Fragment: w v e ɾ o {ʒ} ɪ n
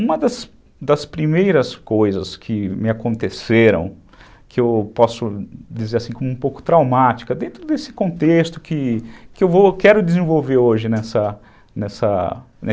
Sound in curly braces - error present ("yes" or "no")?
no